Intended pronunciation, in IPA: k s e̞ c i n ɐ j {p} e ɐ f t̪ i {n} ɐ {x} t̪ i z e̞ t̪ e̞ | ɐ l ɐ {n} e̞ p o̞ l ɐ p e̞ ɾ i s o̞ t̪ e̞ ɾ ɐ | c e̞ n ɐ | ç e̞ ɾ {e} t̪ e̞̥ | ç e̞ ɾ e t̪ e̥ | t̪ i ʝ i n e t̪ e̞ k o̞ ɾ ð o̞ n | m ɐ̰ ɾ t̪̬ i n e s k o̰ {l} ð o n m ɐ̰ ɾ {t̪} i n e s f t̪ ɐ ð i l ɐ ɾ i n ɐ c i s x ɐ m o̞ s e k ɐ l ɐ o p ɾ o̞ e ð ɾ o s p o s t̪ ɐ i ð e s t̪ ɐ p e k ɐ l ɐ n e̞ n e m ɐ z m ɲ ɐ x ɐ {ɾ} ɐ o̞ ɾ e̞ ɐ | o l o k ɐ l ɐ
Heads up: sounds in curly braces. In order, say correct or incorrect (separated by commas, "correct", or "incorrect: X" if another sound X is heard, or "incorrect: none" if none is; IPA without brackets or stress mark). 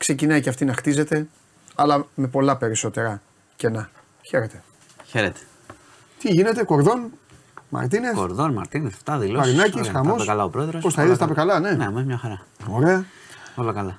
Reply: incorrect: c, correct, correct, incorrect: m, correct, incorrect: ɾ, correct, correct